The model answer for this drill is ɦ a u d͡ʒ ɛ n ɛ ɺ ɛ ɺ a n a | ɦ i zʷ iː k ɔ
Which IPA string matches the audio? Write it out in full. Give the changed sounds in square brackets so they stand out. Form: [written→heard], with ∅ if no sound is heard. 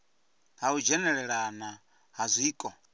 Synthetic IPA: ɦ a u d͡ʒ ɛ n ɛ ɺ ɛ ɺ a n a | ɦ [i→a] zʷ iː [k→kʼ] ɔ